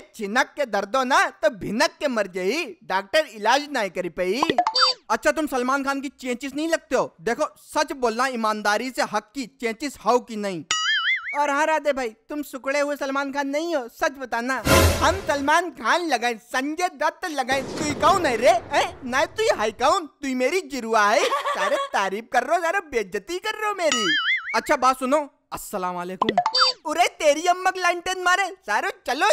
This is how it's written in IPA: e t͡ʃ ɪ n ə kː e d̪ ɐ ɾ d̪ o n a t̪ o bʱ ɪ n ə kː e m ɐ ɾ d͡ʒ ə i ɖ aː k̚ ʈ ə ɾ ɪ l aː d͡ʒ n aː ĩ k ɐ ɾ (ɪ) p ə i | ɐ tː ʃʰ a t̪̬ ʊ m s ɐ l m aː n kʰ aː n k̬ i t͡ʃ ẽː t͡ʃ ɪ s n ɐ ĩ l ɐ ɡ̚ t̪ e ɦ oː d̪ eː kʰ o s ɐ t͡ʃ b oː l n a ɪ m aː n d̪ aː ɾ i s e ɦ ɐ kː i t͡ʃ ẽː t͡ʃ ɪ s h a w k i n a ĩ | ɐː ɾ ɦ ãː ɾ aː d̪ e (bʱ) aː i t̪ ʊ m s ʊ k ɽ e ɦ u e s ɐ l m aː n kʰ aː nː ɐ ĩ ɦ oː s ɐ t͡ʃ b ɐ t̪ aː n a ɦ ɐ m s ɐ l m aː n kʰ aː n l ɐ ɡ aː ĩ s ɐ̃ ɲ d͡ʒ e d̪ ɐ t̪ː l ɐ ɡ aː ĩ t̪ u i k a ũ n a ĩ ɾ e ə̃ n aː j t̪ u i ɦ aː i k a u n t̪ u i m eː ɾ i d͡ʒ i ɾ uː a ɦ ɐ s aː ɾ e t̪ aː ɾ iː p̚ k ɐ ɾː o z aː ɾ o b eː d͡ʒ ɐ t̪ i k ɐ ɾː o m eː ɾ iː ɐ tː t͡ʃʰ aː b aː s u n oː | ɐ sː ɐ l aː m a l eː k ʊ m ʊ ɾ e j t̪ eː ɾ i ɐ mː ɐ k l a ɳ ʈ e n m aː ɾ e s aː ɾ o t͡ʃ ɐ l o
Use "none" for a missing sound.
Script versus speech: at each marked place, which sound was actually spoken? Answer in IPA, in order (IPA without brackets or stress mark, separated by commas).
i, bʱ